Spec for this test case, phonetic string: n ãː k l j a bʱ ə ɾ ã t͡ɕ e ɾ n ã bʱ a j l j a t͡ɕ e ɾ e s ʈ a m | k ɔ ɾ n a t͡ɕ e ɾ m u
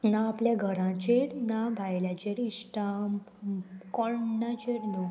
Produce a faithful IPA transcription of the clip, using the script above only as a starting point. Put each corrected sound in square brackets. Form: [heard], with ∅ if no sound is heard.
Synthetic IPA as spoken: n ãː [p] l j a [ɡʱ] ə ɾ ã t͡ɕ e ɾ n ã bʱ a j l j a t͡ɕ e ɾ [i] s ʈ a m | k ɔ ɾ n a t͡ɕ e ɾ [n] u